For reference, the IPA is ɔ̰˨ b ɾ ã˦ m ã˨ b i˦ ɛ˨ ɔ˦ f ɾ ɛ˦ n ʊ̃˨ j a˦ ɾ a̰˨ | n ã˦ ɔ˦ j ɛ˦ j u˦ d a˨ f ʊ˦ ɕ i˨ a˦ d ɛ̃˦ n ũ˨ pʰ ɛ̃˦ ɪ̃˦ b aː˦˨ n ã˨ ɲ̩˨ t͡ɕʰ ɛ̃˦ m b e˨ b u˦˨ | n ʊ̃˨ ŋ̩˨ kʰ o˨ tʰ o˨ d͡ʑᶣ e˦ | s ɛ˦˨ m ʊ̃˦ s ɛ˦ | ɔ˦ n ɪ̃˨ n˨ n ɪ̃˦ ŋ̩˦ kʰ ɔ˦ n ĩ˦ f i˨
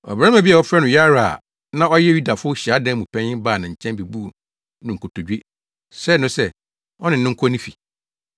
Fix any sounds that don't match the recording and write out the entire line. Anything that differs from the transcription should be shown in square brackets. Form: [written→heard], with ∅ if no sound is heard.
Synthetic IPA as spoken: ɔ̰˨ b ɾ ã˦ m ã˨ b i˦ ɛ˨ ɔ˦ f ɾ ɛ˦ n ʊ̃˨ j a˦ ɾ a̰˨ | n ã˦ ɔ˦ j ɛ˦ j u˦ d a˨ f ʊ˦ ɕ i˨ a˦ d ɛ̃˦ [n→m] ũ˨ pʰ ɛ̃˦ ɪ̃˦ b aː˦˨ n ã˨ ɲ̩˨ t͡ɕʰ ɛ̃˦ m b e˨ b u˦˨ | n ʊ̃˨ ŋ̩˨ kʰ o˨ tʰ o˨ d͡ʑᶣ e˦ | s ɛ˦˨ [m→n] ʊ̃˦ s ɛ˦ | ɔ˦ n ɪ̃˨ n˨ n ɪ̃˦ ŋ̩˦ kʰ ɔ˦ n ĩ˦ f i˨